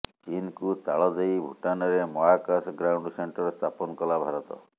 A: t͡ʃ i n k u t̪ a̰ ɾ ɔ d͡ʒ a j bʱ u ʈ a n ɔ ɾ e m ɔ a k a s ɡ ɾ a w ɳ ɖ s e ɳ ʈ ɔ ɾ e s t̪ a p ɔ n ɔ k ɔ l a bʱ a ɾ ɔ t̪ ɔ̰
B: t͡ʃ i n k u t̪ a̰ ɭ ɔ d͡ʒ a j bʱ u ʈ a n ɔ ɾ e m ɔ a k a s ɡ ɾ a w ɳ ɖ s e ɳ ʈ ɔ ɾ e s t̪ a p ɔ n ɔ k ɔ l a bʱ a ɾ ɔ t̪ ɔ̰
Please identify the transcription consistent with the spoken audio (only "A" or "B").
B